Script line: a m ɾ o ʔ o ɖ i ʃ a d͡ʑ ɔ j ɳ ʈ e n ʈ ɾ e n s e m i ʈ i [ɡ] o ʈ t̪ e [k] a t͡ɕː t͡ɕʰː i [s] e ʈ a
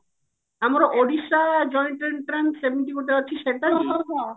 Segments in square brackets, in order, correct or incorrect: incorrect, incorrect, incorrect

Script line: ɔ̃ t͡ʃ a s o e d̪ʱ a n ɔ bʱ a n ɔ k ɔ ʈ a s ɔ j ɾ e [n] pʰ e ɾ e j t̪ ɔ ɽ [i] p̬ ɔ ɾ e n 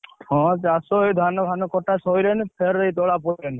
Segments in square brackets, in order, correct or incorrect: correct, incorrect

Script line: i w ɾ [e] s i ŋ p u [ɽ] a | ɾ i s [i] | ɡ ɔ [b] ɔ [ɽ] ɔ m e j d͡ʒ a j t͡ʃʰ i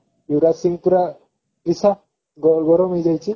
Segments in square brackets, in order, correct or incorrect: incorrect, incorrect, incorrect, incorrect, incorrect

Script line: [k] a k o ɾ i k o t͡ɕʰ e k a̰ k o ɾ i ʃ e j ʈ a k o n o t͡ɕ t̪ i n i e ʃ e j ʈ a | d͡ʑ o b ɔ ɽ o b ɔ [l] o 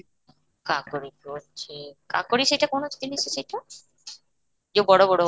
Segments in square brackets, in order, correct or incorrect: correct, incorrect

